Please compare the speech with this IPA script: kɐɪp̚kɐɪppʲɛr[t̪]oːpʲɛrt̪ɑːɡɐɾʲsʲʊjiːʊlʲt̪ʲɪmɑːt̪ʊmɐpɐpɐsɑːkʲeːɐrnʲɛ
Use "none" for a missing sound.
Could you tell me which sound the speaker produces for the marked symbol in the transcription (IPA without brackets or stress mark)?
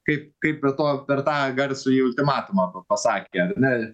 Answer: t̪